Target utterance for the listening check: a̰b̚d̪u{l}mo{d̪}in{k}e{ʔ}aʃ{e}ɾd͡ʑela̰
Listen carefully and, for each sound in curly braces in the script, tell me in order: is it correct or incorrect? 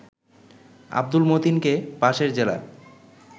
correct, incorrect: t̪, correct, incorrect: p, correct

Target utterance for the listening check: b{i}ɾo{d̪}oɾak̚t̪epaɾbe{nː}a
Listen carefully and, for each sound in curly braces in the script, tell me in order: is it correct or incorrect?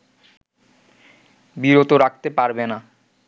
correct, incorrect: t̪, incorrect: n

